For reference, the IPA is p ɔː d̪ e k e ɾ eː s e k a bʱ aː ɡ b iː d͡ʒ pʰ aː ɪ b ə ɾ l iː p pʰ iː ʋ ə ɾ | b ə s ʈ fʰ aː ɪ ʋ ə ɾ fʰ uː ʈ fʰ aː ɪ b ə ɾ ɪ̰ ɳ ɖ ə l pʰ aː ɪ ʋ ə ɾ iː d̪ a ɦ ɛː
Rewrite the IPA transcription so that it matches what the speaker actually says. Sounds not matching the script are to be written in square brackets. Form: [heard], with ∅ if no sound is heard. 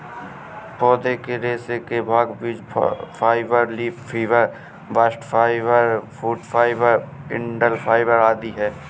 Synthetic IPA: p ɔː d̪ e k e ɾ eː s e k [e] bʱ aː ɡ b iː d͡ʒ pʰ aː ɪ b ə ɾ l iː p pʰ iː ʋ ə ɾ | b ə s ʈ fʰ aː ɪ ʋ ə ɾ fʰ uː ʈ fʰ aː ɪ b ə ɾ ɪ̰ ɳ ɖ ə l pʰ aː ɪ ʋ ə ɾ [aː] d̪ [i] ɦ ɛː